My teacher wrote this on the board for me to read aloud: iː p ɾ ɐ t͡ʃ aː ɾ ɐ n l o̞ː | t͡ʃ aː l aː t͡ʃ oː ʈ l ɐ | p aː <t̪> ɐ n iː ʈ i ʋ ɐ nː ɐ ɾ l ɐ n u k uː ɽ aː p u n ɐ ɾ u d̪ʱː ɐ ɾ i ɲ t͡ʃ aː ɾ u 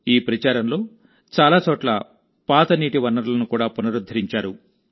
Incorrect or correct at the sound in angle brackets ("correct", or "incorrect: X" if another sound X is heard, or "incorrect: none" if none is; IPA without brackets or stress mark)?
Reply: correct